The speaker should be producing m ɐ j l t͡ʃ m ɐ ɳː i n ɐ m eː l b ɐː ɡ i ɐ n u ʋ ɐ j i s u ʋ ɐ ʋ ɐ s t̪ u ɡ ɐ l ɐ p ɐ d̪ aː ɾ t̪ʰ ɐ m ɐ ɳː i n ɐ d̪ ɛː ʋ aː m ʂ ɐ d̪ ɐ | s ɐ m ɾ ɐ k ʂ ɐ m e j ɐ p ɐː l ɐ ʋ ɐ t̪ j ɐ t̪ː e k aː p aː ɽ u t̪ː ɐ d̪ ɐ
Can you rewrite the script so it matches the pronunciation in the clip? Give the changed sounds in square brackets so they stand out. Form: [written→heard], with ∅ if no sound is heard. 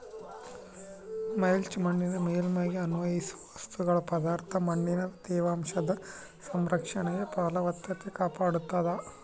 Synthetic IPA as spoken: m ɐ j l t͡ʃ m ɐ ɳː i n ɐ m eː l [b→m] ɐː ɡ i ɐ n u ʋ ɐ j i s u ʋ ɐ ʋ ɐ s t̪ u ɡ ɐ [l→ɭ] ɐ p ɐ d̪ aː ɾ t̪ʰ ɐ m ɐ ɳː i n ɐ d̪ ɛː ʋ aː m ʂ ɐ d̪ ɐ | s ɐ m ɾ ɐ k ʂ ɐ [m→ɳ] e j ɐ p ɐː l ɐ ʋ ɐ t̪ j ɐ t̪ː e k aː p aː ɽ u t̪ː ɐ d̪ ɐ